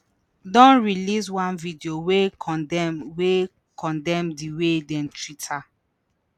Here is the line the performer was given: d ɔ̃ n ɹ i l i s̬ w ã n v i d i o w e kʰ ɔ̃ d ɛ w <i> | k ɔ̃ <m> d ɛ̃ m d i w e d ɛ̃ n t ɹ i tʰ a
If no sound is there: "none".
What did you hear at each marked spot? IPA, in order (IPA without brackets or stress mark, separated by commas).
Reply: e, n